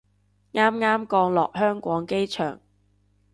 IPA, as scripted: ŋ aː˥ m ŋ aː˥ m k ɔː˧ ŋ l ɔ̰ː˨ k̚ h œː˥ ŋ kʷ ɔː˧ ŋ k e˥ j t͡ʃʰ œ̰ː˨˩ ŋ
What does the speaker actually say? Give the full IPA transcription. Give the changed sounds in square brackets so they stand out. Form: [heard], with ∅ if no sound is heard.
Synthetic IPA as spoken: ŋ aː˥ m ŋ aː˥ m k ɔː˧ ŋ l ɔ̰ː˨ k̚ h œː˥ ŋ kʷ [ɔː˨˥] ŋ k e˥ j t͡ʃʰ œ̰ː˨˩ ŋ